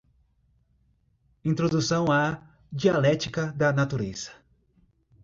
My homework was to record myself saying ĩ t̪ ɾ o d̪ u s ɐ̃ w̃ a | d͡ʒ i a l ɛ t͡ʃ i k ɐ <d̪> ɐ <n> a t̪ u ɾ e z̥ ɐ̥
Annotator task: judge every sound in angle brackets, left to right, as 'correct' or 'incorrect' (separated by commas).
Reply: correct, correct